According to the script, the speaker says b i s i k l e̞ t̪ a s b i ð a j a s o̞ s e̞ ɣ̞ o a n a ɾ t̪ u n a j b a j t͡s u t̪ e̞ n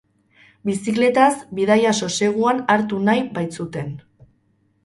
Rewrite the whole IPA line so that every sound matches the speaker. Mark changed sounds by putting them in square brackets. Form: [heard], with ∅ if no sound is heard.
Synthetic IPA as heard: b i s i k l e̞ t̪ a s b i ð a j a s o̞ s e̞ ɣ̞ [u] a n a ɾ t̪ u n a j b a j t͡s u t̪ e̞ n